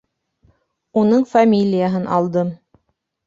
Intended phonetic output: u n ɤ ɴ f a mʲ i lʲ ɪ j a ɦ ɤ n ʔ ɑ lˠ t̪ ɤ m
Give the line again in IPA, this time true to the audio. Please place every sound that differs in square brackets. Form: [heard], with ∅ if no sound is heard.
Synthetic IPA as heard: u n ɤ ɴ f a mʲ i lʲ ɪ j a ɦ ɤ n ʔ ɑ lˠ [d̪] ɤ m